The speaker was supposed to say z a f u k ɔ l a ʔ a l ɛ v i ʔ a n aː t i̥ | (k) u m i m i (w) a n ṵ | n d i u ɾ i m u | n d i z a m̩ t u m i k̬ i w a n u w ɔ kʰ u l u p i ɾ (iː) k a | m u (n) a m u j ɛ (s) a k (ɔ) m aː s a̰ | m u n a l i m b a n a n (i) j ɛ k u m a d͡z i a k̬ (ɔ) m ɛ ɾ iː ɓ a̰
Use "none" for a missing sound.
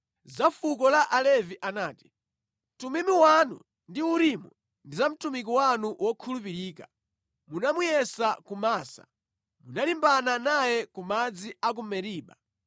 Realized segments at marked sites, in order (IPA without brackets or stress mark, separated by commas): t, w, iː, n, s, u, a, u